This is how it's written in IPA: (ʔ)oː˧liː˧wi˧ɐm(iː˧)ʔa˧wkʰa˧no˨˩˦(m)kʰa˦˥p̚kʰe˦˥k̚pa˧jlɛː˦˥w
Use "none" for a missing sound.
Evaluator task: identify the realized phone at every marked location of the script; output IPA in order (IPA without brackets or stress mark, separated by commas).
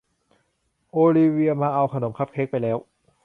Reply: ʔ, aː˧, m